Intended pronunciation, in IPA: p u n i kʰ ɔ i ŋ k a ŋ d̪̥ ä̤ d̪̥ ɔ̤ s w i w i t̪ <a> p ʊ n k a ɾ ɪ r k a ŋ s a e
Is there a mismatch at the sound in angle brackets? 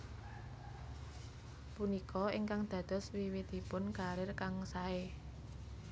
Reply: yes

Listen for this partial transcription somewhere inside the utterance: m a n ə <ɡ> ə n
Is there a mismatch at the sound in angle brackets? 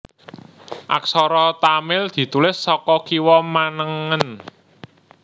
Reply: yes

